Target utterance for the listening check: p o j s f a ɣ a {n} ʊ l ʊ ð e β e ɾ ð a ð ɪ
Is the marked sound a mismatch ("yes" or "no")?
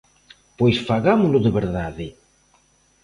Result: yes